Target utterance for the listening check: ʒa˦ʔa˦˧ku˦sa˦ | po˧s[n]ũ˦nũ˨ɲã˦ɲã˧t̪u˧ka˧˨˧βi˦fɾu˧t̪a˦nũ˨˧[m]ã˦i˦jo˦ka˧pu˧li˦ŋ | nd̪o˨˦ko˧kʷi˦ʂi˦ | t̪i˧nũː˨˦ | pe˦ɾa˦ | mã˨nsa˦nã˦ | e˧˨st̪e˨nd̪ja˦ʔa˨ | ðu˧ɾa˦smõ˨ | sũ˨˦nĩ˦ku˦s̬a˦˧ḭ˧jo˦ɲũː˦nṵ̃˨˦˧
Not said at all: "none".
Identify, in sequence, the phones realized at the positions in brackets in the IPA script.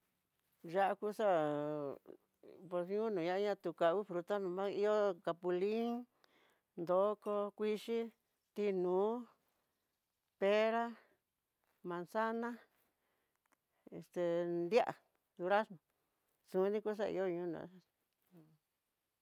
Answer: ɲ, m

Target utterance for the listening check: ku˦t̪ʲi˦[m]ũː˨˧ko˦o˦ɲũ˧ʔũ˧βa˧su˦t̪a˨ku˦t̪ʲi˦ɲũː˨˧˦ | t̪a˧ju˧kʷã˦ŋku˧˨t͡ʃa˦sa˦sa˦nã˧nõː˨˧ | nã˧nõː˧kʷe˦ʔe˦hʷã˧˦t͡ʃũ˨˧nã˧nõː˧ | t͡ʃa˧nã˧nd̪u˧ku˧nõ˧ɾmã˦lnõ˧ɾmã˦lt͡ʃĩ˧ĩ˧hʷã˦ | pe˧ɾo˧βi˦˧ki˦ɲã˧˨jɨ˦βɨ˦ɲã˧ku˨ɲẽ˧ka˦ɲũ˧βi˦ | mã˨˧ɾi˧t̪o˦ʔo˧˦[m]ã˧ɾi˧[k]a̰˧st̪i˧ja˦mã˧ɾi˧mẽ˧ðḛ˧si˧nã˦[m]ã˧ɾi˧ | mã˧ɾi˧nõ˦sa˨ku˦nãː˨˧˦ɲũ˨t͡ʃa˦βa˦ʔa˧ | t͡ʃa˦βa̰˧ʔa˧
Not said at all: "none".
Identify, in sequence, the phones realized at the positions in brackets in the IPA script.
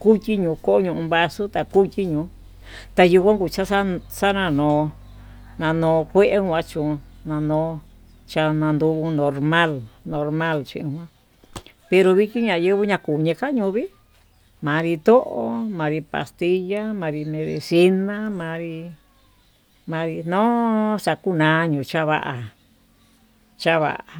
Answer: ɲ, m, p, m

